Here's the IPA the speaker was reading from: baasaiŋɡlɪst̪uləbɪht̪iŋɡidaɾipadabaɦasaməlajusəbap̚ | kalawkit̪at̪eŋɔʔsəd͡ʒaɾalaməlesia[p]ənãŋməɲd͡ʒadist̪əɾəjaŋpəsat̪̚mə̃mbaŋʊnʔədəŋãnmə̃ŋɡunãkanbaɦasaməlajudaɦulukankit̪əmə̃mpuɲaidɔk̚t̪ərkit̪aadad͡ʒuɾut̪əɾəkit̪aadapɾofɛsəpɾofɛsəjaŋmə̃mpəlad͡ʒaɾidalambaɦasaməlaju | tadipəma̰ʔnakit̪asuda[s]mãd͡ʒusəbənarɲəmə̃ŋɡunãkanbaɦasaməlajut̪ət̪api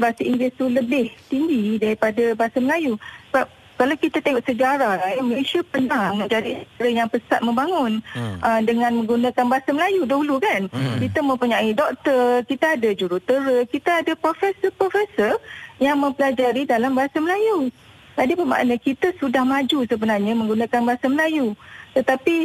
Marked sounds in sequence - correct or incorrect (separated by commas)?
correct, incorrect